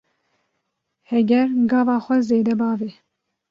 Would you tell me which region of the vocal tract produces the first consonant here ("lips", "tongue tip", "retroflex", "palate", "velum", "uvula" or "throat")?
throat